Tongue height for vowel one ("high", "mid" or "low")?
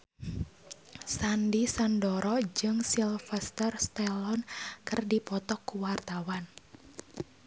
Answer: low